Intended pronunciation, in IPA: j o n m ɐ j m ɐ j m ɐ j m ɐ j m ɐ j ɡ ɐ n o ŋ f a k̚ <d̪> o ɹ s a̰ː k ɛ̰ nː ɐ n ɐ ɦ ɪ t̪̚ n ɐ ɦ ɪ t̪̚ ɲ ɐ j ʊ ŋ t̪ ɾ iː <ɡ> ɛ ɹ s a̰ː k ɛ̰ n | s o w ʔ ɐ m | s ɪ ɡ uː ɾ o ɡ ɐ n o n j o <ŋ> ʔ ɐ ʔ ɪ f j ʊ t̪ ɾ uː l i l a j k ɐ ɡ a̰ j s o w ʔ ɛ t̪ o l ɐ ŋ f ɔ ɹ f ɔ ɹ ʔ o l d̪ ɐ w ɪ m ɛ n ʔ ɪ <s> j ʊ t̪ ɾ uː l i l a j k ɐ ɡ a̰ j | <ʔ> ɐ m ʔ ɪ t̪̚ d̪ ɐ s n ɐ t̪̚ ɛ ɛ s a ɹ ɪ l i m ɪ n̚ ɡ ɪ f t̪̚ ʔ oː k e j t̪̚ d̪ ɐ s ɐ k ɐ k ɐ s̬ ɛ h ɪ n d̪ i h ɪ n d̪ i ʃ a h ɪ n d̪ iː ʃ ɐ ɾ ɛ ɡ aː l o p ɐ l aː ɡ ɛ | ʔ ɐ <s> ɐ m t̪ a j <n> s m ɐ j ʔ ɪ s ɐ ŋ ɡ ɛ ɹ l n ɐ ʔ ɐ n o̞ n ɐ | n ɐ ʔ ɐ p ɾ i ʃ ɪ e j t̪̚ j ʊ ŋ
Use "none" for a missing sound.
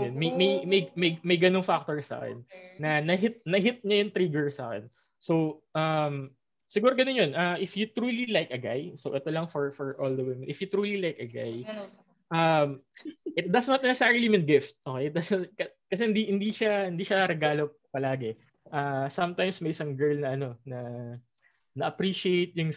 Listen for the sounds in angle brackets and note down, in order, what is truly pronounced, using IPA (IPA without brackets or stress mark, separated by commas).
t̪, ɡ, n, f, ʔ, s, m